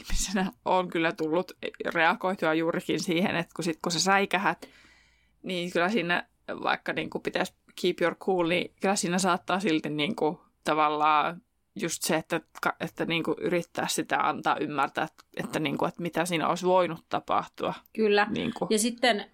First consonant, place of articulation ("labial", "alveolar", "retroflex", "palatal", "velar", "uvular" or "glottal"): glottal